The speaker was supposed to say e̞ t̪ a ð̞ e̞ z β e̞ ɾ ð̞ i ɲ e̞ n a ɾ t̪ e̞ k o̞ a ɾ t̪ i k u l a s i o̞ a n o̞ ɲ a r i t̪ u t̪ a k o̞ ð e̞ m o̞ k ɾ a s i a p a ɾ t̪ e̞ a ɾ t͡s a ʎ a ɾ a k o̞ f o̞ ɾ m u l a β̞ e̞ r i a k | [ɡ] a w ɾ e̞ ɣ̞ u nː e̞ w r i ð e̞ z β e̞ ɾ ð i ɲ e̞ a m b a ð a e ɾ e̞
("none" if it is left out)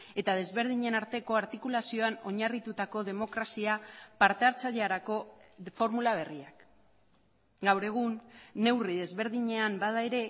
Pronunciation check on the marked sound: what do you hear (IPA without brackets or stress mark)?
ɡ